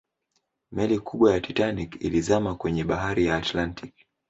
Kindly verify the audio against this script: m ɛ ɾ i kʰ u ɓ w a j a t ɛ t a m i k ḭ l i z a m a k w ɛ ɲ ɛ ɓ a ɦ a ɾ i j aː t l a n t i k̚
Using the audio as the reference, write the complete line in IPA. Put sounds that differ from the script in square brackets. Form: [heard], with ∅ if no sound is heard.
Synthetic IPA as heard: m ɛ [l] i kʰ u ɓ w a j a t [i] t a [n] i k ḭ l i z a m a k w ɛ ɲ ɛ ɓ a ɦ a ɾ i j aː t l a n t i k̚